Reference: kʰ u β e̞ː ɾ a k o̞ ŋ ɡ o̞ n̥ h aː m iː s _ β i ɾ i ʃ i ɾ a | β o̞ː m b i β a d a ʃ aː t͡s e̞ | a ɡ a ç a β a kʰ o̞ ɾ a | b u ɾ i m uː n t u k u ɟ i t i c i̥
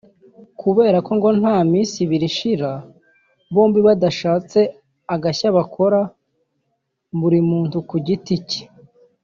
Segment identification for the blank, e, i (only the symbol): i